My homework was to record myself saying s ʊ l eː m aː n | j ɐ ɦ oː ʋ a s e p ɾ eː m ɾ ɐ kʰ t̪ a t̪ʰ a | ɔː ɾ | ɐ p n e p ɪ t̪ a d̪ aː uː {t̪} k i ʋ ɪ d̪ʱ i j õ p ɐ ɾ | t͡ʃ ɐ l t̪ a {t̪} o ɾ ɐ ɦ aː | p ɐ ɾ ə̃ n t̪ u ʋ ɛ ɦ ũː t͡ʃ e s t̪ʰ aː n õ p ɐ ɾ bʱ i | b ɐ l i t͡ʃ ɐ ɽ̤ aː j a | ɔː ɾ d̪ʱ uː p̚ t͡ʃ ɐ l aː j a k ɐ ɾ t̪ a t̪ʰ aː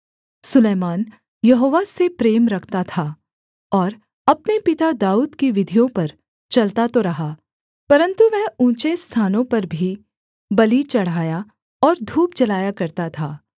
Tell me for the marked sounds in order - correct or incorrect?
incorrect: d̪, correct

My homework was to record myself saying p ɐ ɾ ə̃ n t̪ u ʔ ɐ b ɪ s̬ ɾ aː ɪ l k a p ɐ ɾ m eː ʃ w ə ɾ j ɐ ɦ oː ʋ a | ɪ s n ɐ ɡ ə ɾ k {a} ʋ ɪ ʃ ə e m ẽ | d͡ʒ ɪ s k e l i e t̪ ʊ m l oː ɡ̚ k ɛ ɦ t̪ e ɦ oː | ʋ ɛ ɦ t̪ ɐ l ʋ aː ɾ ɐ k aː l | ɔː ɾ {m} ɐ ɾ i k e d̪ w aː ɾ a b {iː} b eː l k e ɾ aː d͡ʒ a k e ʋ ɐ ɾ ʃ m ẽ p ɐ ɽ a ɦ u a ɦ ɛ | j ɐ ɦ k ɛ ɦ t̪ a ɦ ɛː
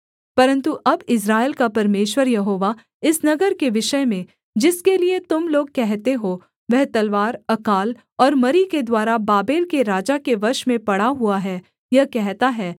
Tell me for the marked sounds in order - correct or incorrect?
incorrect: e, correct, incorrect: aː

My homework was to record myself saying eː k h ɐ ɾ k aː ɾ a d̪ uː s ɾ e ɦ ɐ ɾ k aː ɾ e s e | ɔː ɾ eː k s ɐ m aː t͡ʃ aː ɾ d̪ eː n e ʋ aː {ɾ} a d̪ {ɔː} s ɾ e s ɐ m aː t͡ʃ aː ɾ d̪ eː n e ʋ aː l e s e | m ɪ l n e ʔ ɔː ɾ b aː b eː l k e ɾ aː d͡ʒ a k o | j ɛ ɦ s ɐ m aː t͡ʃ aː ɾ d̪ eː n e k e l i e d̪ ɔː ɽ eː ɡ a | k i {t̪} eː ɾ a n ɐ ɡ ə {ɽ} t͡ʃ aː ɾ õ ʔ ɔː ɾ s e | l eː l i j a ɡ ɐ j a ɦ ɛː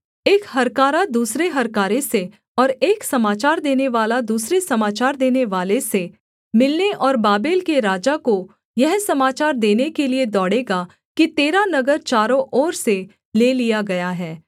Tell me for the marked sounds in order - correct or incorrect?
incorrect: l, incorrect: uː, correct, incorrect: ɾ

